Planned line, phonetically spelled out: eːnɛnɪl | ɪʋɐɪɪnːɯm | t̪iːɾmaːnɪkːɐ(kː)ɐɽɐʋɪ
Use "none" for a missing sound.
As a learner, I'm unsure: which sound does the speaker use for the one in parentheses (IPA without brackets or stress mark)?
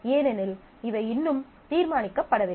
pː